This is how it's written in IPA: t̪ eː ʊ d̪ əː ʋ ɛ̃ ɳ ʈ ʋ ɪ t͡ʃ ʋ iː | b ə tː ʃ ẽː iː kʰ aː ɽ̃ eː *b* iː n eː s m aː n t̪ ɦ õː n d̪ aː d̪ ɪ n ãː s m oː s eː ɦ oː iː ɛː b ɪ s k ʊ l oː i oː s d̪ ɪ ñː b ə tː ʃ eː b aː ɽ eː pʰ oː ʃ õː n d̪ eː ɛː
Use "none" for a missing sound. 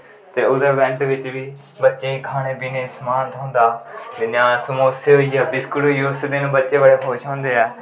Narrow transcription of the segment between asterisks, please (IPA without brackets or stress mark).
b